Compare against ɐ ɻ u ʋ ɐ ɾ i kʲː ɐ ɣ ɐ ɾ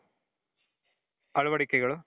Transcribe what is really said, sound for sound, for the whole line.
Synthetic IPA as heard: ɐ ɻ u ʋ ɐ ɽ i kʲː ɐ ɣ ɐ ɭ

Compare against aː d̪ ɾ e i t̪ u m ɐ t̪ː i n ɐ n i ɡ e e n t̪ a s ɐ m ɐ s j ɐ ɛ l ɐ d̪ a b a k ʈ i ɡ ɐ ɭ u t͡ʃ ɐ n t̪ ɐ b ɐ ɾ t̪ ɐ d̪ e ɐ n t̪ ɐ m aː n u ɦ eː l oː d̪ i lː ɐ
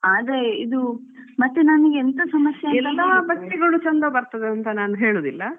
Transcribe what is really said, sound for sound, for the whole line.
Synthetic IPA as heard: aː d̪ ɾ e i d̪ u m ɐ t̪ː e n ɐ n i ɡ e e n t̪ ɐ s ɐ m ɐ s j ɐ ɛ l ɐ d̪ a b ɐ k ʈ i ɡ ɐ ɭ u t͡ʃ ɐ n d̪ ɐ b ɐ ɾ t̪ ɐ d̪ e ɐ n t̪ ɐ n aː n u ɦ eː ɭ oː d̪ i lː ɐ

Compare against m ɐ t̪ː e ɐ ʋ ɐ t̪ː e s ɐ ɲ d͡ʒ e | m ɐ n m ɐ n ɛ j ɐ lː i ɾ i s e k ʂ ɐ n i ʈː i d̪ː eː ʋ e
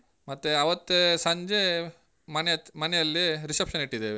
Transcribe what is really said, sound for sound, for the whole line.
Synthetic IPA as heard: m ɐ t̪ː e ɐ ʋ ɐ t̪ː e s ɐ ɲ d͡ʒ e | m ɐ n m ɐ n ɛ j ɐ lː i ɾ i s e p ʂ ɐ n i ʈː i d̪ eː ʋ e

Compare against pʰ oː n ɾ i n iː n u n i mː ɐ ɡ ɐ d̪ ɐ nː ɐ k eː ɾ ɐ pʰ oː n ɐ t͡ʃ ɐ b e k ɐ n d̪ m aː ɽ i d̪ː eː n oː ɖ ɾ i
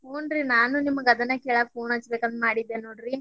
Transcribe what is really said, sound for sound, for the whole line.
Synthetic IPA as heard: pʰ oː n ɾ i n aː n u n i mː ɐ ɡ ɐ d̪ ɐ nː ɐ k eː ɭ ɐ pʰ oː n ɐ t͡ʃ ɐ b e k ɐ n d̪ m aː ɽ i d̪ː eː n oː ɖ ɾ i

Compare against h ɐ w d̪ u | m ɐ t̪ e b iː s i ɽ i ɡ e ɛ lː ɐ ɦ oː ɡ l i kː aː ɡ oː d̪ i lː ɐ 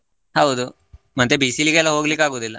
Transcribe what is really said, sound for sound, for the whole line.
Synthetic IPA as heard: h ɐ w d̪ u | m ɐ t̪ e b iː s i l i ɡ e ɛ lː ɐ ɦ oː ɡ l i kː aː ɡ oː d̪ i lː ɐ

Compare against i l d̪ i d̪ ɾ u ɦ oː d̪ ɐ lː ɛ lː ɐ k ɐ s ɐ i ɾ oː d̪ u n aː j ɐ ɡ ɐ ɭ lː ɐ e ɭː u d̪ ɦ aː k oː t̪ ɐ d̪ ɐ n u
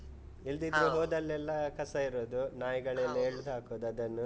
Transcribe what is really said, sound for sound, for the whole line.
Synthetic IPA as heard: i l d̪ i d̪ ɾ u ɦ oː d̪ ɐ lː ɛ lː ɐ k ɐ s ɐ i ɾ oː d̪ u n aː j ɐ ɡ ɐ ɭ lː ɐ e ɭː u d̪ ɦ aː k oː d̪ ɐ d̪ ɐ nː u

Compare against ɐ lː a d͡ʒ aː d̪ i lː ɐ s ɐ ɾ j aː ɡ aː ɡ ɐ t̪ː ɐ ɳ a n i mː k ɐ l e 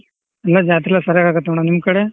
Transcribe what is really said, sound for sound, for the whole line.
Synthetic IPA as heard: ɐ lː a d͡ʒ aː t̪ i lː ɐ s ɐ ɾ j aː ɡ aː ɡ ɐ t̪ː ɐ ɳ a n i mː k ɐ ɽ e

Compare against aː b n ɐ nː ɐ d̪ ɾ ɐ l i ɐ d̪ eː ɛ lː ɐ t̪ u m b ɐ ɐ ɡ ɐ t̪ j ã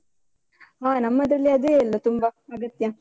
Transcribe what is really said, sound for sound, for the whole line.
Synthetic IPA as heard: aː n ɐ mː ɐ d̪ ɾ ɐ l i ɐ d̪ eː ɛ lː ɐ t̪ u m b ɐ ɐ ɡ ɐ t̪ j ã

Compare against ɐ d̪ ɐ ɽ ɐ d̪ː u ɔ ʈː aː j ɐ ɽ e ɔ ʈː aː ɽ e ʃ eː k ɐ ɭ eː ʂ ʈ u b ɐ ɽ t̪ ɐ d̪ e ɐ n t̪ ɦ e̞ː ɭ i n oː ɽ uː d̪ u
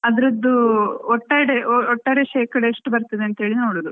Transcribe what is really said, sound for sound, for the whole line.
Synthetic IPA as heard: ɐ d̪ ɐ ɾ ɐ d̪ː u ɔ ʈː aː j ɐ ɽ e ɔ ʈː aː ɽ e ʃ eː k ɐ ɽ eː ʂ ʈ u b ɐ ɾ t̪ ɐ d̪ e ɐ n t̪ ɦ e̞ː ɭ i n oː ɽ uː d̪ u

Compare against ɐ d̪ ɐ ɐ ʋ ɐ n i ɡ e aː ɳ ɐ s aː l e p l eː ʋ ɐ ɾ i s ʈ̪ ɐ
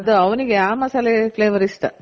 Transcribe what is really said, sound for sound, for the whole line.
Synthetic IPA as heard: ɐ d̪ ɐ ɐ ʋ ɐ n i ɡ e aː m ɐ s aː l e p l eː ʋ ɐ ɾ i s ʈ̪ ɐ

